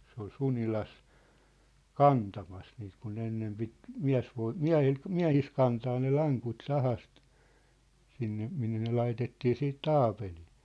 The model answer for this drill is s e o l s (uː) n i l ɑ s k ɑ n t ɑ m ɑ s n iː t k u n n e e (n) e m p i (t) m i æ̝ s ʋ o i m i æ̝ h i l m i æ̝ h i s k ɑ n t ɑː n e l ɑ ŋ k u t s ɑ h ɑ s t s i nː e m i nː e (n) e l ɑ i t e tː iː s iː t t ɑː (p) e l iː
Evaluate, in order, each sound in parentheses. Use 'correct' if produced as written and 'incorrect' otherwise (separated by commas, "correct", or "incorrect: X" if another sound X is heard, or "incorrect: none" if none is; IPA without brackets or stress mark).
incorrect: u, incorrect: nː, correct, correct, correct